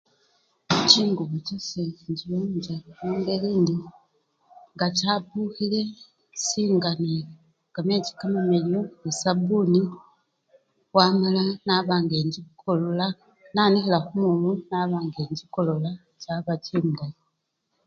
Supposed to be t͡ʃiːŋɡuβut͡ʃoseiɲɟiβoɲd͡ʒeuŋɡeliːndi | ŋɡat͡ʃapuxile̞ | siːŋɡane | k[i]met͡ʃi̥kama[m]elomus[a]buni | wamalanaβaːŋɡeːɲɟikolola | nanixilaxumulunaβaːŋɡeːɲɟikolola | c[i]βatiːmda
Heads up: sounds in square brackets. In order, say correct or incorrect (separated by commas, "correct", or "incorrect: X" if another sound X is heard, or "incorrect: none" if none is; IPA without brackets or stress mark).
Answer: incorrect: a, correct, correct, incorrect: a